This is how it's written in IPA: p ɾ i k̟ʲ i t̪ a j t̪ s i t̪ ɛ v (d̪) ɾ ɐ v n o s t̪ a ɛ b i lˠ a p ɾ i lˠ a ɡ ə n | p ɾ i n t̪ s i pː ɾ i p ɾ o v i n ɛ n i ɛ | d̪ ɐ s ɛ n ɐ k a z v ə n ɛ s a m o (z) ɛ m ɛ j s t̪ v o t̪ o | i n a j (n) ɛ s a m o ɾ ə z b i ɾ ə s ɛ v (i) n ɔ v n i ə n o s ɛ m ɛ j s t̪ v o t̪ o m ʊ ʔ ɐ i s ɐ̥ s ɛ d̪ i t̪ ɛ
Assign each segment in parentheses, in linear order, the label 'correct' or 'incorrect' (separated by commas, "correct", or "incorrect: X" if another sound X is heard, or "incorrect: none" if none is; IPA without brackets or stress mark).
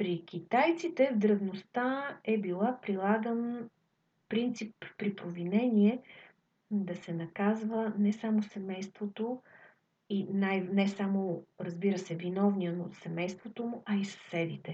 correct, incorrect: s, correct, correct